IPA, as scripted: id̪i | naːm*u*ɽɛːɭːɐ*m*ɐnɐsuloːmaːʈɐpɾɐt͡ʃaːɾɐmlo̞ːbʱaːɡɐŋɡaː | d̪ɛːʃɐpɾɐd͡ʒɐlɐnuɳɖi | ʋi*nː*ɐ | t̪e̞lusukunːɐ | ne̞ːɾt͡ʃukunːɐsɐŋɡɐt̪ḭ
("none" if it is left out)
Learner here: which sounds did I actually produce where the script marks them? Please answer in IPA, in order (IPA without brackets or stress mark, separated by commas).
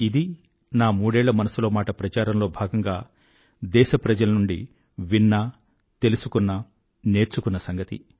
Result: uː, m, nː